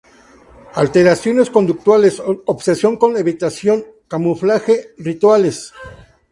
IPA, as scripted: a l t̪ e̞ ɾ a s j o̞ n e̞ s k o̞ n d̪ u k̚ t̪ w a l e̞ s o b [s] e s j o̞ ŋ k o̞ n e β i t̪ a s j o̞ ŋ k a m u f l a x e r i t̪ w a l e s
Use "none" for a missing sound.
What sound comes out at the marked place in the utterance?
s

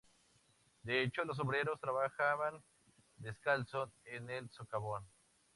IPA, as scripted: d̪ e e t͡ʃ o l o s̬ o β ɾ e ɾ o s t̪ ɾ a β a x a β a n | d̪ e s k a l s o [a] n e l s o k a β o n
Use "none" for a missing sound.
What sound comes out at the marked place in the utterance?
e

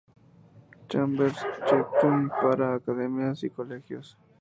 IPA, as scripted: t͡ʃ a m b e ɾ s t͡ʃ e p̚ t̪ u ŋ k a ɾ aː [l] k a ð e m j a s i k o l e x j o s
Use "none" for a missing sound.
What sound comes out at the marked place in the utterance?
none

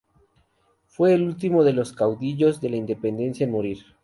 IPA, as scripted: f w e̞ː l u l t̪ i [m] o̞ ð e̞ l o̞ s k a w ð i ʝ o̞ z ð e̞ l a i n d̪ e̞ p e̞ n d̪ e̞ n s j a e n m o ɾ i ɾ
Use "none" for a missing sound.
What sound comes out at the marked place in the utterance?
m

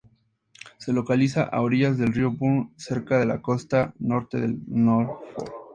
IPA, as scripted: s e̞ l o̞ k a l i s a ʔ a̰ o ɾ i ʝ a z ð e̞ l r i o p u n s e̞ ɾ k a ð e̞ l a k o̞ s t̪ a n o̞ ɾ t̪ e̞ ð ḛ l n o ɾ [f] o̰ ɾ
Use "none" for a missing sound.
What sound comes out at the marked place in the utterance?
f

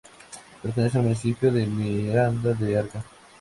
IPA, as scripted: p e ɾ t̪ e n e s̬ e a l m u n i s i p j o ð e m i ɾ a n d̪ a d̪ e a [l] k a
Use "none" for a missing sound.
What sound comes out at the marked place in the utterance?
ɾ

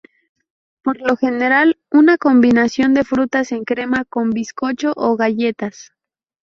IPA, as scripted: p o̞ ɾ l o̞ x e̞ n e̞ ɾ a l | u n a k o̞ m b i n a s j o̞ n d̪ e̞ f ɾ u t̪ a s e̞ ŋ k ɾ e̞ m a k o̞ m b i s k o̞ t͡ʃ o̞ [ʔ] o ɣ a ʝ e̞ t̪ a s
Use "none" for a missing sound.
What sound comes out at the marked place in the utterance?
ʔ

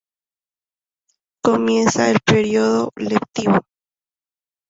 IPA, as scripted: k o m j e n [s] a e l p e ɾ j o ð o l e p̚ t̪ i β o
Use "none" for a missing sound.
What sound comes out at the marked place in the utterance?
s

